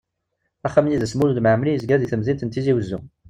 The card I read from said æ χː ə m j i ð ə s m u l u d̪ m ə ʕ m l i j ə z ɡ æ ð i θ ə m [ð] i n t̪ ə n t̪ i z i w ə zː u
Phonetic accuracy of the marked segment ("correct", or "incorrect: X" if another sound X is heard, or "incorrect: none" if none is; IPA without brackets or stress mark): incorrect: z